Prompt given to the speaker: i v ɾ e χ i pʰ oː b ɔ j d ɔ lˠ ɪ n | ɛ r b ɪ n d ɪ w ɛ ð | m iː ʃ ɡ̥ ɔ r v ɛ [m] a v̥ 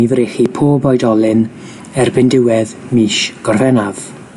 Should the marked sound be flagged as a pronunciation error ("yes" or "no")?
yes